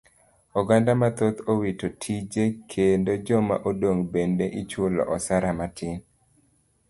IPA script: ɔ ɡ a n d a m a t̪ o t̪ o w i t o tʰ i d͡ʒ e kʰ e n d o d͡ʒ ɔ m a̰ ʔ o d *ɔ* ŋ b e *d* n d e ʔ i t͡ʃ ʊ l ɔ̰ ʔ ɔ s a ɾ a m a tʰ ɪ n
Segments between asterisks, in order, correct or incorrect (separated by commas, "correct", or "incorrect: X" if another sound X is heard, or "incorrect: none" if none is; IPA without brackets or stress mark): incorrect: o, incorrect: none